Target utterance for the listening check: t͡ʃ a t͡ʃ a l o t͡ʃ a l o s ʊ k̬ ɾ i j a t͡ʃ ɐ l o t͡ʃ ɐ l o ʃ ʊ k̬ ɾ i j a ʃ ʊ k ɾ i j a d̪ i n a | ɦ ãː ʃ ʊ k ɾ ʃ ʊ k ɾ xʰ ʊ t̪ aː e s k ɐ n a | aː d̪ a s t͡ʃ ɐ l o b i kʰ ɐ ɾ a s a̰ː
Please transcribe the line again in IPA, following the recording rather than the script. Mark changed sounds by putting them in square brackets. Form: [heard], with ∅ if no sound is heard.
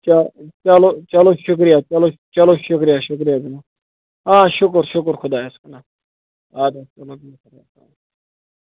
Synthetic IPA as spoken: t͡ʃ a t͡ʃ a l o t͡ʃ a l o [ʃ] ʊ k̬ ɾ i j a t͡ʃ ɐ l o t͡ʃ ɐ l o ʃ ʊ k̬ ɾ i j a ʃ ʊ k ɾ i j a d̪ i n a | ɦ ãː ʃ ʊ k ɾ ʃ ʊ k ɾ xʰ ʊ [d̪] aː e s k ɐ n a | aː d̪ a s t͡ʃ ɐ l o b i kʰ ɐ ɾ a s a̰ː